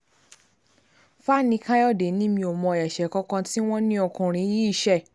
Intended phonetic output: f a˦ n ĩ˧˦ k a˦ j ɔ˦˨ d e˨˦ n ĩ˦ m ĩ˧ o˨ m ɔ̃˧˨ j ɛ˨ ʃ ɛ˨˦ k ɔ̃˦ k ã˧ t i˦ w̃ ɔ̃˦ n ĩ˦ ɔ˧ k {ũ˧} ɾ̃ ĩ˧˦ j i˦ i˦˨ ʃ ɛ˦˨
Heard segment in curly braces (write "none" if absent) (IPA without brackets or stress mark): ũ˧